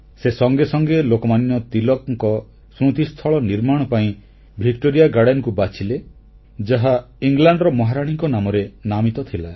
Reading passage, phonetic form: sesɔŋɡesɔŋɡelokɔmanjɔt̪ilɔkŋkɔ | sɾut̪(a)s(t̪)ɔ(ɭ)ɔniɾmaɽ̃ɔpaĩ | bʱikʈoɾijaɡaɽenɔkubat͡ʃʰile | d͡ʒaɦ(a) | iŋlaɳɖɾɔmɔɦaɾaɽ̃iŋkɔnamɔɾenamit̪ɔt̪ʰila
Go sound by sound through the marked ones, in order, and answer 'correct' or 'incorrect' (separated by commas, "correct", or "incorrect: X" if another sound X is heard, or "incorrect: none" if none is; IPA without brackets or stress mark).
incorrect: i, incorrect: t̪ʰ, correct, correct